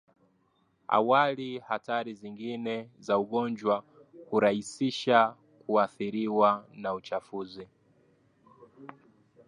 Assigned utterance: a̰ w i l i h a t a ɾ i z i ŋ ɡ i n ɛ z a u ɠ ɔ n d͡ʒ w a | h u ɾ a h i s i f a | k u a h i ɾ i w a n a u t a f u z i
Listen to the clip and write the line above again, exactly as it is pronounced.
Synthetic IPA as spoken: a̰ w a l i h a t a ɾ i z i ŋ ɡ i n ɛ z a u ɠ ɔ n d͡ʒ w a | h u ɾ a h i s i ʃ a | k u a θ i ɾ i w a n a u t͡ʃ a f u z i